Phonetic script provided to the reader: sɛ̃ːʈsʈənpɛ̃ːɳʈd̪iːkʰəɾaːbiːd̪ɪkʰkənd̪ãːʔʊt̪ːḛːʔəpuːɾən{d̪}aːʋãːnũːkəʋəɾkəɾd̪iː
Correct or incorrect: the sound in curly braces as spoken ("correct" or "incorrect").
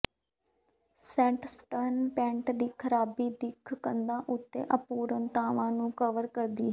incorrect